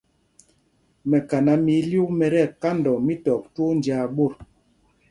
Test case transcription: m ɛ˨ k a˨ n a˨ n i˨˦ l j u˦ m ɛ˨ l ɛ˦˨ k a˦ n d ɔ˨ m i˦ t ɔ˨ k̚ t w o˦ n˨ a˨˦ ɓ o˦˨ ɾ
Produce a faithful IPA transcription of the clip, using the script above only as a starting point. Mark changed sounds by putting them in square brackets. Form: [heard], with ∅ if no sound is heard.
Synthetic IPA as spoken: m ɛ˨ k a˨ n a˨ [m] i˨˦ l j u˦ m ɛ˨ [ɾ] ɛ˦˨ k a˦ n d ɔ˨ m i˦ t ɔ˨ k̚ t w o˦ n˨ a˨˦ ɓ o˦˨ ɾ